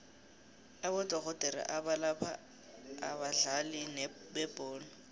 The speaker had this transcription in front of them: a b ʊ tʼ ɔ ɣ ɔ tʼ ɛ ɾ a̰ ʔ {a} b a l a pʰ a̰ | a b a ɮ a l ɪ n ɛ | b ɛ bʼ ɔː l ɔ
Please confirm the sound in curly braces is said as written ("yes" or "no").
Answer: yes